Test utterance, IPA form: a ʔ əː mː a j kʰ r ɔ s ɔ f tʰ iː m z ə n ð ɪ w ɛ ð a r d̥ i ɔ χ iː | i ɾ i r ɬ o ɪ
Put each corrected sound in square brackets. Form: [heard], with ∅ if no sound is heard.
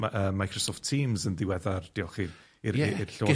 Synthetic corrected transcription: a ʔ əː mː a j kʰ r ɔ s ɔ f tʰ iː m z ə n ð ɪ w ɛ ð a r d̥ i ɔ χ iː | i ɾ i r ɬ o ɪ